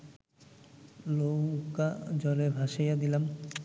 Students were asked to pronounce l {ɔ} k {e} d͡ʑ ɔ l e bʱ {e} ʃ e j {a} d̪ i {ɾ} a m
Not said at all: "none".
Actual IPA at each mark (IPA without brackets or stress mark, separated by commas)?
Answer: o, a, a, a, l